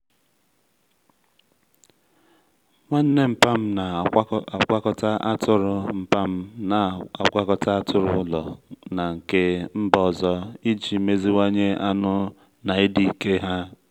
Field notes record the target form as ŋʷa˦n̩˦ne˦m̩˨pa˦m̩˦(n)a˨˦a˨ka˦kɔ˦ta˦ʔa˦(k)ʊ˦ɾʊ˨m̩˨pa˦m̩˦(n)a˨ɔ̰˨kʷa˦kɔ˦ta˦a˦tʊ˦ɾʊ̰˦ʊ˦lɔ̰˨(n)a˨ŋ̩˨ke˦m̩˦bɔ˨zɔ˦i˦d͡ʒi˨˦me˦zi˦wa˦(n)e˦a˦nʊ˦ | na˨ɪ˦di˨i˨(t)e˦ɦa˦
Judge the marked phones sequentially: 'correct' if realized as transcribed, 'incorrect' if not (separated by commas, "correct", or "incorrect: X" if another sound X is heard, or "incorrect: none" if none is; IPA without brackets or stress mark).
correct, incorrect: t, correct, correct, incorrect: ɲ, incorrect: k